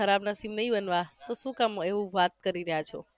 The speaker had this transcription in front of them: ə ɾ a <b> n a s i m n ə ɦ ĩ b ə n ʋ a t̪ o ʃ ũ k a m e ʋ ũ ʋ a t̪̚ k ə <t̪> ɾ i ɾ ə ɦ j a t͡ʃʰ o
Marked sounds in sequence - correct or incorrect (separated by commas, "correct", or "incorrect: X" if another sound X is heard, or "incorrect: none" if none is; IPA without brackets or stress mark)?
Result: correct, incorrect: none